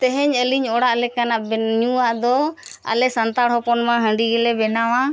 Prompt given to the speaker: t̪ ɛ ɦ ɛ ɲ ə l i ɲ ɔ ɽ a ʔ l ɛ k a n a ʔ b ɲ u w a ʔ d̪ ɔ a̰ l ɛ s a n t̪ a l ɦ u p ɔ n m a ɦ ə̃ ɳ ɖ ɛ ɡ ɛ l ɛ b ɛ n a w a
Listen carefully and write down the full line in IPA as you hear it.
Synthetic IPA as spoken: t̪ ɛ ɦ ɛ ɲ ə l i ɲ ɔ ɽ a ʔ l ɛ k a n a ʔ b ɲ u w a ʔ d̪ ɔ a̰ l ɛ s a n t̪ a ɽ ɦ ɔ p ɔ n m a ɦ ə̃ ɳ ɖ i ɡ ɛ l ɛ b ɛ n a w a